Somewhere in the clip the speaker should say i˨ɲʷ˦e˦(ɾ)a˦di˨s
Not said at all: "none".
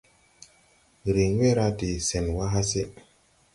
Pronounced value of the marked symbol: ɾ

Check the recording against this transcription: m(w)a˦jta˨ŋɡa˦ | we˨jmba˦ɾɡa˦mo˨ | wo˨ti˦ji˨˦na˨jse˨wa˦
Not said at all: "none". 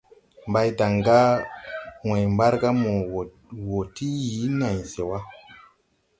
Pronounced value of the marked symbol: b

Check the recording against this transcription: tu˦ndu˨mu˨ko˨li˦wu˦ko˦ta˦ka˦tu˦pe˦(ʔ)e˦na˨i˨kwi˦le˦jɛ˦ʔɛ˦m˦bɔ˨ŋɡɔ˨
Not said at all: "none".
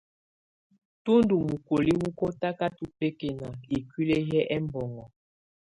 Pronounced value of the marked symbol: k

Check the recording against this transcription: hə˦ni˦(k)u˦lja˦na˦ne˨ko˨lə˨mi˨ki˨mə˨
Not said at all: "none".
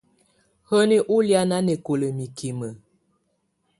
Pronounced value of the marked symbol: ʔ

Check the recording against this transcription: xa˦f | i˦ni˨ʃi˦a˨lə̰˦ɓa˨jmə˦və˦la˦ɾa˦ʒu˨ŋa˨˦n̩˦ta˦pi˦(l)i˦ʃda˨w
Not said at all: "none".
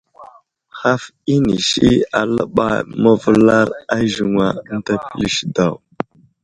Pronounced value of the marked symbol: l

